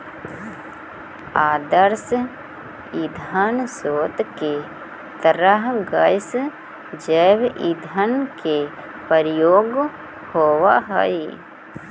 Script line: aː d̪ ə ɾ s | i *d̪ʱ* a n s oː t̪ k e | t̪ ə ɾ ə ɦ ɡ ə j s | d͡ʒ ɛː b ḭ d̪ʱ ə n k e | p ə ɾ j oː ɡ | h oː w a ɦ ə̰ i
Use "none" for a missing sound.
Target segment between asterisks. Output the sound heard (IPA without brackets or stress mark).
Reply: d̪ʱ